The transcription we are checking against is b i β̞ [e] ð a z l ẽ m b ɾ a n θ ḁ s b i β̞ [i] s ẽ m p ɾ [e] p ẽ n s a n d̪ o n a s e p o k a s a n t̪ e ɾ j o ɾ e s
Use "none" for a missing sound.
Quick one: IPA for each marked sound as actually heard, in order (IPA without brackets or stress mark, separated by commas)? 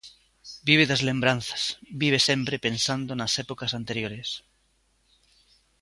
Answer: e, e, e